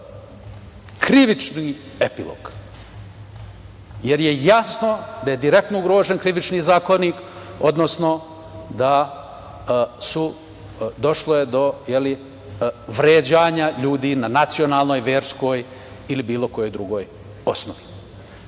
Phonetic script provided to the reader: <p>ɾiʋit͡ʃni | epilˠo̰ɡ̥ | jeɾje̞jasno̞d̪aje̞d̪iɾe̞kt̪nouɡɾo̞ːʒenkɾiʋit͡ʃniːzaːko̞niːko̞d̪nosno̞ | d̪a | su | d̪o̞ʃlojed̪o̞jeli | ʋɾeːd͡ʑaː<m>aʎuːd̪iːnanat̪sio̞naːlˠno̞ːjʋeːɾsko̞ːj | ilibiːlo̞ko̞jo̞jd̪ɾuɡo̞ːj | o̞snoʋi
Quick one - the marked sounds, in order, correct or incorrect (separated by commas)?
incorrect, incorrect